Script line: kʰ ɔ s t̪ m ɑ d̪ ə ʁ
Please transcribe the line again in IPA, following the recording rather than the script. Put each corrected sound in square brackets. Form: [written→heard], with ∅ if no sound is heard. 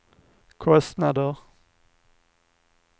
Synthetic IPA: kʰ ɔ s t̪ [m→n] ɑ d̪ ə ʁ